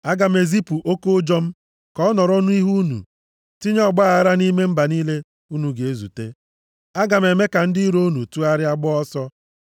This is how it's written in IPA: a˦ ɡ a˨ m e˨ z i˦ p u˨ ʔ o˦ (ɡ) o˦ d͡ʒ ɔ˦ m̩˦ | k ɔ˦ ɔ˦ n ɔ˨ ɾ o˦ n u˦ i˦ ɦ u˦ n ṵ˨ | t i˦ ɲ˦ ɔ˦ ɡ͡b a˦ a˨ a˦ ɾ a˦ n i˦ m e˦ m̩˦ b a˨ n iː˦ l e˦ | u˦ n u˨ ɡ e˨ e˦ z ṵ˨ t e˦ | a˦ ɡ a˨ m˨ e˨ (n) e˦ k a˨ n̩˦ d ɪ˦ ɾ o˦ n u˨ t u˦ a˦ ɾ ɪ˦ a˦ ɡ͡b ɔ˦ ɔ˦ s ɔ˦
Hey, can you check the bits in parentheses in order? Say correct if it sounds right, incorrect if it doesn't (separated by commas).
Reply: incorrect, incorrect